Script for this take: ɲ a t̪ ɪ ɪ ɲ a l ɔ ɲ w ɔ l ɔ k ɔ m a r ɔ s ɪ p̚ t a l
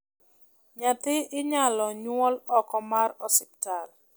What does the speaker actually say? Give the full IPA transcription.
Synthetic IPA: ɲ a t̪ ɪ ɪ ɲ a l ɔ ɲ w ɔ l ɔ k ɔ m a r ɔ s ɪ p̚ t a l